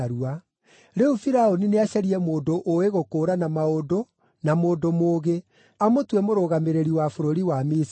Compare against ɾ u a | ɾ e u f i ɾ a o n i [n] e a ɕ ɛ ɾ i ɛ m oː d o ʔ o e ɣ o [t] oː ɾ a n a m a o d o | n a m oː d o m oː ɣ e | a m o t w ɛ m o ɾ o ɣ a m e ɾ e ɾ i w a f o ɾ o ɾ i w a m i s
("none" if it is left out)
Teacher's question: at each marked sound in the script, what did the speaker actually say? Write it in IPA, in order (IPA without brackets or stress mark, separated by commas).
n, k